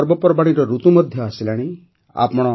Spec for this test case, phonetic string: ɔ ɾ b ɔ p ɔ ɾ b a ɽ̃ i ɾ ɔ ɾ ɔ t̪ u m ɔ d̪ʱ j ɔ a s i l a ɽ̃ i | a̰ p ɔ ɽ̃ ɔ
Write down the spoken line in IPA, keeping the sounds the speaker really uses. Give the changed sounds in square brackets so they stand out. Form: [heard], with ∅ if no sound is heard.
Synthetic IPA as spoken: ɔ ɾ b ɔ p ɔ ɾ b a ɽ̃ i ɾ ɔ ɾ [u] t̪ u m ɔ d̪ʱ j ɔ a s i l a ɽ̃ i | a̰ p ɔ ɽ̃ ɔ